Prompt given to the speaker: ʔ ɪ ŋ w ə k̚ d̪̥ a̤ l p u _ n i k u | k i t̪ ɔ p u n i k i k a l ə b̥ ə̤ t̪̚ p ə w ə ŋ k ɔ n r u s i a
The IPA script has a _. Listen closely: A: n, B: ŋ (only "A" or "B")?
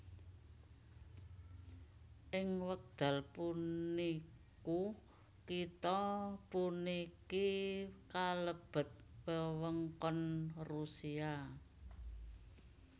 A